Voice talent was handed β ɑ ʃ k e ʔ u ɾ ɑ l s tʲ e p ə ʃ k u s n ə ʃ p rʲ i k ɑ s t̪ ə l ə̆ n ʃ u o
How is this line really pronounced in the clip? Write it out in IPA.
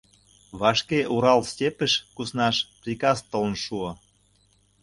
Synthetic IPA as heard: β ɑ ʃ k e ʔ u ɾ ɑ l s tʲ e p ə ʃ k u s n ɑ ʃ p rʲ i k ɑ s t̪ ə l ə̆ n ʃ u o